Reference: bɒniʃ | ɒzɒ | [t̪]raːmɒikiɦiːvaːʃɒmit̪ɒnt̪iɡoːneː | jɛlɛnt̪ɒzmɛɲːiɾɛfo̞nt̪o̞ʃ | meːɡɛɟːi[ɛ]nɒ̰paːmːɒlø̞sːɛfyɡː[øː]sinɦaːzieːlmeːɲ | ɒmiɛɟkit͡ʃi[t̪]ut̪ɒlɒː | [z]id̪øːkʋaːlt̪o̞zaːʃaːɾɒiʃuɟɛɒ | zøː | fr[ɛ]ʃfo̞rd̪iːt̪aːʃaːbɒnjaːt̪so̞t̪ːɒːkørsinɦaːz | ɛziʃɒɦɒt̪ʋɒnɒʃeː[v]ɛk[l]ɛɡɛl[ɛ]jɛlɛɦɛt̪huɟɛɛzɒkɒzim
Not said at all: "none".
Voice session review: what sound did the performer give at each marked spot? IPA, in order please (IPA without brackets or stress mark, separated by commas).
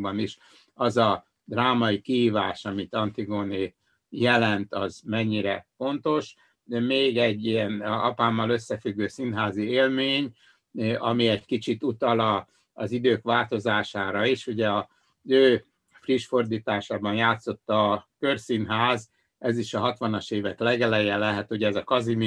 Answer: d̪, ɛ, øː, t̪, z, i, v, l, ɛ